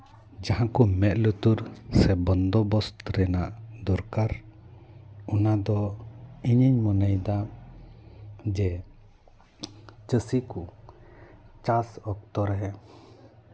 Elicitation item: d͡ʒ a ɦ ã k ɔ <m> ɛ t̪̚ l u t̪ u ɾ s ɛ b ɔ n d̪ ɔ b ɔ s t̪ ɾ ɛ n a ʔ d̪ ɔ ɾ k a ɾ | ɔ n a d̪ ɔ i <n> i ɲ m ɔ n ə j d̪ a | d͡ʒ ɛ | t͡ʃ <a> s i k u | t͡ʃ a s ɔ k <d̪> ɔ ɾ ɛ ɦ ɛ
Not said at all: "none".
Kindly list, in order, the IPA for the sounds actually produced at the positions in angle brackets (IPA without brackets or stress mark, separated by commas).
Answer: m, ɲ, ə, t̪